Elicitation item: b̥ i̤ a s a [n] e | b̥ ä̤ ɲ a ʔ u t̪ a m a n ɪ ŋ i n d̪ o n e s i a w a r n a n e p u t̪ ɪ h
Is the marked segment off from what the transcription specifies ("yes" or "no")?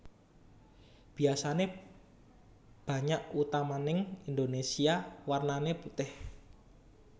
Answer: no